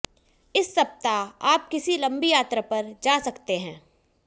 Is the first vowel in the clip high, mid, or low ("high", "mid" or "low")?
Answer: high